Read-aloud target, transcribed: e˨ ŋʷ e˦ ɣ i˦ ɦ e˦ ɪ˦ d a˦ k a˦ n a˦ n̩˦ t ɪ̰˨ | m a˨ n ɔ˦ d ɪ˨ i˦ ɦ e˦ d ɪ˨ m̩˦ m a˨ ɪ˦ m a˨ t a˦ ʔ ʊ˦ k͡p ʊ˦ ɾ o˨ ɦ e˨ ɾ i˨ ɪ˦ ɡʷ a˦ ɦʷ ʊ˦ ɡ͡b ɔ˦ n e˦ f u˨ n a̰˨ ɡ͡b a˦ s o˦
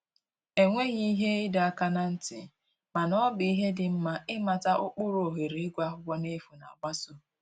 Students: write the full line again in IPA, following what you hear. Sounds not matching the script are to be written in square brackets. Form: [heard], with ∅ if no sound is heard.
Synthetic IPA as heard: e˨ ŋʷ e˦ ɣ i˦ ɦ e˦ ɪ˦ d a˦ k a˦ n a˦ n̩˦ t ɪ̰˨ | m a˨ n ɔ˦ [b] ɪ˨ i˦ ɦ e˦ d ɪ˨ m̩˦ m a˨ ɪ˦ m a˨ t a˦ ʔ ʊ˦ k͡p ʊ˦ ɾ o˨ ɦ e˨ ɾ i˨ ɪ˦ ɡʷ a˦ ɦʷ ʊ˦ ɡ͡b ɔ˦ n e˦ f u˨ n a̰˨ ɡ͡b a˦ s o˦